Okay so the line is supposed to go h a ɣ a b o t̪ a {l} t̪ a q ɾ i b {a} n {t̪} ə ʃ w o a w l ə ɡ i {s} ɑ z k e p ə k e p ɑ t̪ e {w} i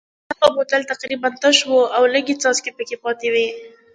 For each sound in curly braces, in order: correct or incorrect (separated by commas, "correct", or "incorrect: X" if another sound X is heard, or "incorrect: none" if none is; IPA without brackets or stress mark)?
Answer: correct, correct, correct, incorrect: t͡s, correct